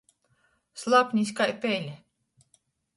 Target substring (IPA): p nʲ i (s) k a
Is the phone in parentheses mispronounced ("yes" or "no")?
no